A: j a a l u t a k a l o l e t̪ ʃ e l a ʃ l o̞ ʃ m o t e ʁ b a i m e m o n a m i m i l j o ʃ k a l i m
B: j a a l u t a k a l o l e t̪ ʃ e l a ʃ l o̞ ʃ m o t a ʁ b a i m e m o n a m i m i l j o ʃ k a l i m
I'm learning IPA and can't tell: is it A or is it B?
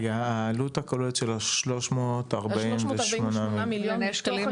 B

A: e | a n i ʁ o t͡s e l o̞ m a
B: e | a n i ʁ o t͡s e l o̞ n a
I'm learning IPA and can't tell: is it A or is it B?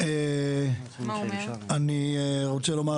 A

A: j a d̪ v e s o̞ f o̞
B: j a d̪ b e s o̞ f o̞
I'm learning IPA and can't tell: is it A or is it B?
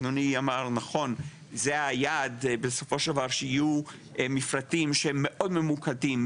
B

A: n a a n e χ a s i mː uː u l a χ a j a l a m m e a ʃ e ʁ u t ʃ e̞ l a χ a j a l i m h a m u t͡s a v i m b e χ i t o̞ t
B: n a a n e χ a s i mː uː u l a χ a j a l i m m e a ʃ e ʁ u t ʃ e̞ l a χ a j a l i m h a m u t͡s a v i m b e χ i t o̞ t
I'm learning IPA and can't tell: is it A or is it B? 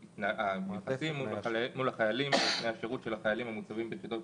B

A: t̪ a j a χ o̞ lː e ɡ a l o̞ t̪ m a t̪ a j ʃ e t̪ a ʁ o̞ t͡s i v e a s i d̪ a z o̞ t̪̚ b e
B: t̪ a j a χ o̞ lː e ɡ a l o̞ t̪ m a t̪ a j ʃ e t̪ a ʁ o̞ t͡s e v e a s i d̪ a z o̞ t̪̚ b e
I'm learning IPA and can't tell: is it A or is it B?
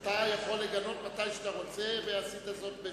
B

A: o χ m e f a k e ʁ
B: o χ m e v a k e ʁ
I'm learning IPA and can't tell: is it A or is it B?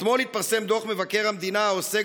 B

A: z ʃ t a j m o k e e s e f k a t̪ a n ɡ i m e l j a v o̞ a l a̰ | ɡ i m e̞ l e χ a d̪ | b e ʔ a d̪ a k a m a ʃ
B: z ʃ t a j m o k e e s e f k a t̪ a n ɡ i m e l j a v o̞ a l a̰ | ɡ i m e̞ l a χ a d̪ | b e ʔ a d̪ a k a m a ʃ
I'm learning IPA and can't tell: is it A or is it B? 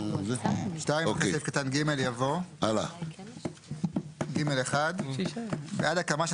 A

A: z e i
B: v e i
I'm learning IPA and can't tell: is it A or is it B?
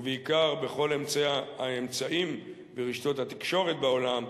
B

